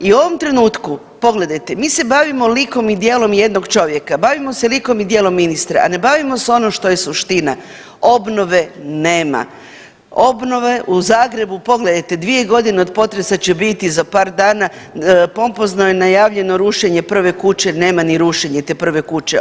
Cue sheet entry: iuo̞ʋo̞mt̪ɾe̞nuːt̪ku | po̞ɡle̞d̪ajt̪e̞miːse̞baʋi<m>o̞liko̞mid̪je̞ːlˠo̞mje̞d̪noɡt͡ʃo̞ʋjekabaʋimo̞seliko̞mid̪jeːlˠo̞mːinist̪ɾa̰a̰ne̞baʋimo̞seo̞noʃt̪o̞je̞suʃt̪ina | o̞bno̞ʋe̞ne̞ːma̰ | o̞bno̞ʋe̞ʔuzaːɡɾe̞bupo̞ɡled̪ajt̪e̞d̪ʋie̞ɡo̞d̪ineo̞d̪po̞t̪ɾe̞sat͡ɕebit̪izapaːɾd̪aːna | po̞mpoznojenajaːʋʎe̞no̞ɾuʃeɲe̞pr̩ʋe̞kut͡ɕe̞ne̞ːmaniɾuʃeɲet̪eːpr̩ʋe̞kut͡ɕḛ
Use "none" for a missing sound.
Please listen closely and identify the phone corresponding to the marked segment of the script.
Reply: m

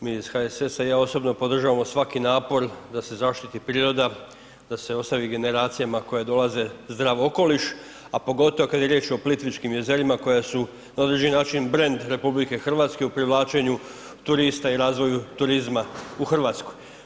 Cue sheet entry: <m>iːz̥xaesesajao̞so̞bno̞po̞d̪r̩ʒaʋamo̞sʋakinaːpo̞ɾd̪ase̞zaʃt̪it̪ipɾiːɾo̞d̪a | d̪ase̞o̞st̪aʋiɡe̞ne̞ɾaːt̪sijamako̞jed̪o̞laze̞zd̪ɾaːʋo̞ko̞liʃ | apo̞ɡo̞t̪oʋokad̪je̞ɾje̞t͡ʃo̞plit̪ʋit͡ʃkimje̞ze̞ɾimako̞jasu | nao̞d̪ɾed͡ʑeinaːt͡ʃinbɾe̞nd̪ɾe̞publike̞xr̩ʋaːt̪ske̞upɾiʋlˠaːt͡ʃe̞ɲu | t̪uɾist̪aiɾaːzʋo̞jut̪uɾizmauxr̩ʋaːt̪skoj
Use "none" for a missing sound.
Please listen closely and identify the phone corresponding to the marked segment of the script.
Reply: m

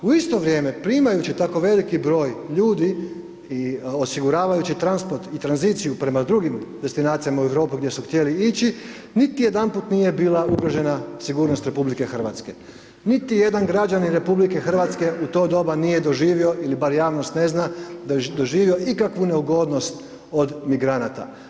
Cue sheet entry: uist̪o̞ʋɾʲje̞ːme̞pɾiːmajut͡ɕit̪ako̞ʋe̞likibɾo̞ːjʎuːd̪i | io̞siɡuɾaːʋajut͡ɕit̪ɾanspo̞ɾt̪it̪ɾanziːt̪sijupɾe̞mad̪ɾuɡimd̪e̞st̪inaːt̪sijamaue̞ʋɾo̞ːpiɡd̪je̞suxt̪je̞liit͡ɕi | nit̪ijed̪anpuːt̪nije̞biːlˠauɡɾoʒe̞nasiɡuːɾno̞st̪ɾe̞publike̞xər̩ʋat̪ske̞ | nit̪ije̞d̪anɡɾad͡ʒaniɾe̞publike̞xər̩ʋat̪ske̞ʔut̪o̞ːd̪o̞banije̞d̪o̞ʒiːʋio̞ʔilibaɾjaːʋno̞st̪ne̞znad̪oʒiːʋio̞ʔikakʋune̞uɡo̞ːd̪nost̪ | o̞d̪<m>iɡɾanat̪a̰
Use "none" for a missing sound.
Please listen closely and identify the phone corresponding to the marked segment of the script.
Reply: m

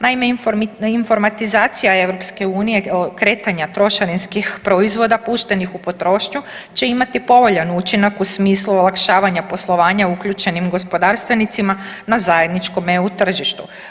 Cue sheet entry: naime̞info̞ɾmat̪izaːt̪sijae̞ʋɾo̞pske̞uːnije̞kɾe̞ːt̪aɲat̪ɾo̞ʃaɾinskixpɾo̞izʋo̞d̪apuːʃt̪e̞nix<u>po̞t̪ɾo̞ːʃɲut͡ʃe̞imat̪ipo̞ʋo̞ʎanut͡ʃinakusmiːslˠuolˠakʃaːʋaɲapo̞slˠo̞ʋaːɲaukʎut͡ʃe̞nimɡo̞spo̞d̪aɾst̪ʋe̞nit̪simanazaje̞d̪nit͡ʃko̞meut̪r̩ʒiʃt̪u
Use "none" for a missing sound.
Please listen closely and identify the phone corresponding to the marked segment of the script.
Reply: u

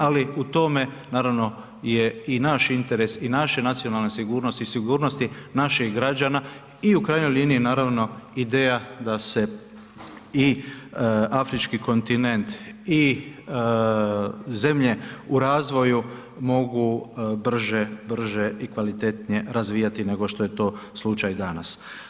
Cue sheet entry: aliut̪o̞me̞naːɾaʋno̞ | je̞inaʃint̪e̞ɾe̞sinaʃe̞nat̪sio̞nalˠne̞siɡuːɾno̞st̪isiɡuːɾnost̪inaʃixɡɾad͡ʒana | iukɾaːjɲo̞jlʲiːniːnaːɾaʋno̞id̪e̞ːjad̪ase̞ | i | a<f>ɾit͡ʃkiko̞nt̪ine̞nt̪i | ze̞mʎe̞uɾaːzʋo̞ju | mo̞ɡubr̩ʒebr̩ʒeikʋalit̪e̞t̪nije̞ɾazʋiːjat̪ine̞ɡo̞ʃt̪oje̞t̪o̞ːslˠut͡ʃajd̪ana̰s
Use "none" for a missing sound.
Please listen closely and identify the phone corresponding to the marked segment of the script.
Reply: f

